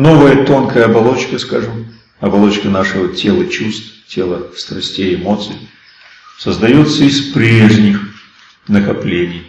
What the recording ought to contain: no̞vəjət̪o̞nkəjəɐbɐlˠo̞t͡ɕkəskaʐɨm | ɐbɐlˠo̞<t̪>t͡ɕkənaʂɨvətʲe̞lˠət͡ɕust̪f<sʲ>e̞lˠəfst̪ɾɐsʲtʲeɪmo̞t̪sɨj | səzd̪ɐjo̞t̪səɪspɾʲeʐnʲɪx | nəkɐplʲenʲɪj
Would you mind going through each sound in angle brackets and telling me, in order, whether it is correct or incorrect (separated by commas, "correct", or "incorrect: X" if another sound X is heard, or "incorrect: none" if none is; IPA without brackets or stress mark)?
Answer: incorrect: none, incorrect: tʲ